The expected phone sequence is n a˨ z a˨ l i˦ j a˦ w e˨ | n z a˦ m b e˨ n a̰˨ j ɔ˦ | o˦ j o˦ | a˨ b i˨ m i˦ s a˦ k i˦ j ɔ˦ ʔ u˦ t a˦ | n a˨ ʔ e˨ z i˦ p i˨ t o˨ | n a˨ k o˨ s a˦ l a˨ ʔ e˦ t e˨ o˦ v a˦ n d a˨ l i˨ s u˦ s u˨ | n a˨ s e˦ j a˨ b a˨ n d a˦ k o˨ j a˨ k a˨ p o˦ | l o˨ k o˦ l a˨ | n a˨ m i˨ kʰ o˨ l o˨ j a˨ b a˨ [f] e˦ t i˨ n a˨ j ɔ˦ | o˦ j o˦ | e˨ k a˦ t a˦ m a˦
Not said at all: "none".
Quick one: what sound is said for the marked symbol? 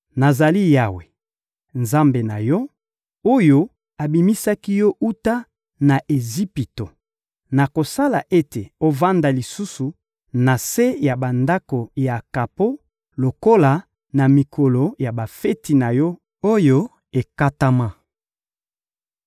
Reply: f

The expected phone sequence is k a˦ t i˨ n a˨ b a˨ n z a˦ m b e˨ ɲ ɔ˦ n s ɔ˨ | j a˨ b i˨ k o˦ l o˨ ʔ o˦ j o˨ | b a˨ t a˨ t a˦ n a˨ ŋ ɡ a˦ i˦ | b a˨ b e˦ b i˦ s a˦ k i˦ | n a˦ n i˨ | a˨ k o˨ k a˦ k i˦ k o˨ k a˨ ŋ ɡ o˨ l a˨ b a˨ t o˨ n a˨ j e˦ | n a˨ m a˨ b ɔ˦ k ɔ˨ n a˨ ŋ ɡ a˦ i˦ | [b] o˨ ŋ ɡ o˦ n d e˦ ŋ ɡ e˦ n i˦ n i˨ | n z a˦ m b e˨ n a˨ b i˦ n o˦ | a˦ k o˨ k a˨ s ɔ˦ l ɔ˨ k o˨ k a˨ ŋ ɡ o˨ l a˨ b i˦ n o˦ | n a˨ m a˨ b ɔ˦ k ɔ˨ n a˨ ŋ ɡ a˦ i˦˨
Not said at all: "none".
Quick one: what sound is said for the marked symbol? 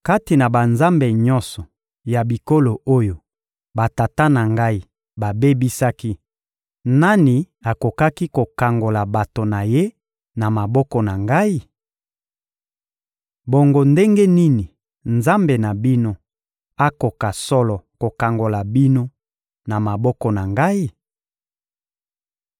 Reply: b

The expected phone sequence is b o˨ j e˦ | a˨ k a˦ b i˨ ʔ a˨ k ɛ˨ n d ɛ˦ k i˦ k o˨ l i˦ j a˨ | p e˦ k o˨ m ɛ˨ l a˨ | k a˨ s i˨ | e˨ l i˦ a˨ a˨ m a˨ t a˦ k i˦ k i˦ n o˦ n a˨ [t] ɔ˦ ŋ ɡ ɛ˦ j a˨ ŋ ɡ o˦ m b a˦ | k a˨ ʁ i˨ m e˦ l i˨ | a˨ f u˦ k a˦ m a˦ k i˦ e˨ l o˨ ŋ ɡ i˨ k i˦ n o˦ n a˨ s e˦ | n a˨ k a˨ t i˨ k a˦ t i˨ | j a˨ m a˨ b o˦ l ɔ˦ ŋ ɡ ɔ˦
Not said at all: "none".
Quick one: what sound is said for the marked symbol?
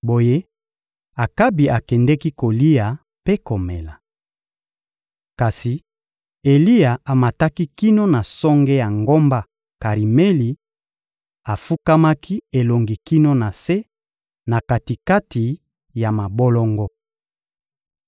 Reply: s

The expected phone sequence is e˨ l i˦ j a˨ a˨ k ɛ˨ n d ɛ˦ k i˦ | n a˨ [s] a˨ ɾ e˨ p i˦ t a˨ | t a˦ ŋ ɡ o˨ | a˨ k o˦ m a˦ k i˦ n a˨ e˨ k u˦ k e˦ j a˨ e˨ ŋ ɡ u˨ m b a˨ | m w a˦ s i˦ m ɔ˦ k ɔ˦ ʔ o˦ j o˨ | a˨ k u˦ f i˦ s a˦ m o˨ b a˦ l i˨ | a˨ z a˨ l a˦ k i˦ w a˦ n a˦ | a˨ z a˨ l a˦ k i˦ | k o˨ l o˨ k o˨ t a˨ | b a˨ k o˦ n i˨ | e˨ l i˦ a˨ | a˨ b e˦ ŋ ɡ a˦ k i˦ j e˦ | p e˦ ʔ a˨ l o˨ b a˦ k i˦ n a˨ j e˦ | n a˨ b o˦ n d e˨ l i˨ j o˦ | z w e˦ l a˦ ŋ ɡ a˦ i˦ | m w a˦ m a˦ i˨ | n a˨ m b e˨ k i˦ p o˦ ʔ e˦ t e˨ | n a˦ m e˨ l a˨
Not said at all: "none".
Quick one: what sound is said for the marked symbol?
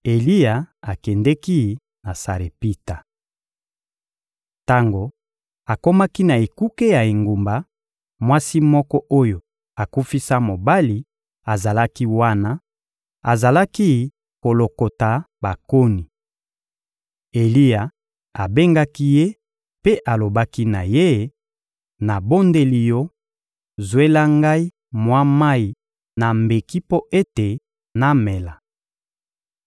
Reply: s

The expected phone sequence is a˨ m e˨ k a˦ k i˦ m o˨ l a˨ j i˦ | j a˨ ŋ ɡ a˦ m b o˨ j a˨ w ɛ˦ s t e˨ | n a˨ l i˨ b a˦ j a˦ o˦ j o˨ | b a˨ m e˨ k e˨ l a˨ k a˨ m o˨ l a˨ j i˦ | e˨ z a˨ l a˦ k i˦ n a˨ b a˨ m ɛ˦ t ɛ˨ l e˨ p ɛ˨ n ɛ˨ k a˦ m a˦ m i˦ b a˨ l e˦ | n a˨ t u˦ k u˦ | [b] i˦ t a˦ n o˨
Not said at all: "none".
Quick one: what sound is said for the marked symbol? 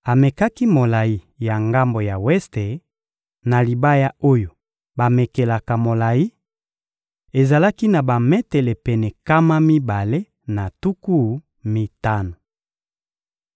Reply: m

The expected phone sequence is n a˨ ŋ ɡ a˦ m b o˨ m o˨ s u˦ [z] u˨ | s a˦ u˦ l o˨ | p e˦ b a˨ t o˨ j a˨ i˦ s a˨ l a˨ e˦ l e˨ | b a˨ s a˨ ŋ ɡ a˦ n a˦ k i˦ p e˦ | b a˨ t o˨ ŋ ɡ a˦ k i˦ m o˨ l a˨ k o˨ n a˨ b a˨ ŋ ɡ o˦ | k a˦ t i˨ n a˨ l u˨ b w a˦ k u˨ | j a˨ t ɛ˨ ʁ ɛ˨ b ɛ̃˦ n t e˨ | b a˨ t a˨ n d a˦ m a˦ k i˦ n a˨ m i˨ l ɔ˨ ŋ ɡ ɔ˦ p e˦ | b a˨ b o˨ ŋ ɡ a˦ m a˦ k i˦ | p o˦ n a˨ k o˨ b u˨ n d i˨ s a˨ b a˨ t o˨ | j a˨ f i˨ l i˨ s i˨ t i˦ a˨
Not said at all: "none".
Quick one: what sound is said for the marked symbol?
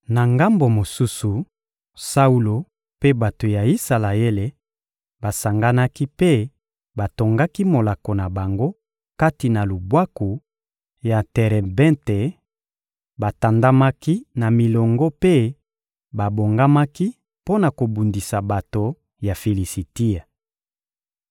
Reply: s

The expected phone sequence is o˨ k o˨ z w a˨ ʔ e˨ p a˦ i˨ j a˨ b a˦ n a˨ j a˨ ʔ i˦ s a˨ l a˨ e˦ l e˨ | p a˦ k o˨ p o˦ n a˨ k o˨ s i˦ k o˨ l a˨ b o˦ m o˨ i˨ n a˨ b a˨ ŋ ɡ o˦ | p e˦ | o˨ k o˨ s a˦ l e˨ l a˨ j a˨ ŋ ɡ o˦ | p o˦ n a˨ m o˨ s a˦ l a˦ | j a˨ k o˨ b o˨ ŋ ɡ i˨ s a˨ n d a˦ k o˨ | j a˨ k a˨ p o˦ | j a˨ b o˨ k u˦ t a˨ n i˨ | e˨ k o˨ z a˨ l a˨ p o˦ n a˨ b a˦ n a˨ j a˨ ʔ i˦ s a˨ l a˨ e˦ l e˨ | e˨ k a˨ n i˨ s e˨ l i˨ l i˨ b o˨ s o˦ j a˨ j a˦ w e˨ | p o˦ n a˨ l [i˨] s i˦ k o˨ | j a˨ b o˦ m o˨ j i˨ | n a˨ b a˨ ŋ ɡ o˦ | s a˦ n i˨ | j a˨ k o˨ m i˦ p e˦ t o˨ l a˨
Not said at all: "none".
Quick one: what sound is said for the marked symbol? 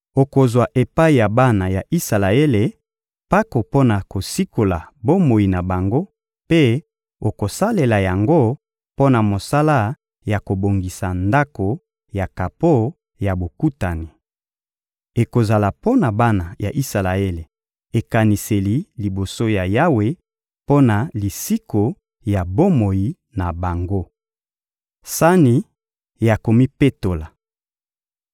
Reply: i˨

